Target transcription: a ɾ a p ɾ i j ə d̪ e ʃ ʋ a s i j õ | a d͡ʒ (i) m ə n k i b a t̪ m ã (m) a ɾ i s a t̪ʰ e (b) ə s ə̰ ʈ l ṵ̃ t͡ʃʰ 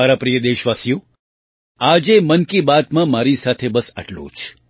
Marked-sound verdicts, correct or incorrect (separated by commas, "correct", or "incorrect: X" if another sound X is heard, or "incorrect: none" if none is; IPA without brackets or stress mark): incorrect: e, correct, correct